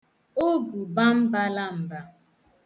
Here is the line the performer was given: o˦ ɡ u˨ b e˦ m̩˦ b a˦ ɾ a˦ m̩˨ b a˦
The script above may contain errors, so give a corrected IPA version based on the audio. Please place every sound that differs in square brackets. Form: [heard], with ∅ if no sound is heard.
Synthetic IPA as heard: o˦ ɡ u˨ b [a˦] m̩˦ b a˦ [l] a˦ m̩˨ b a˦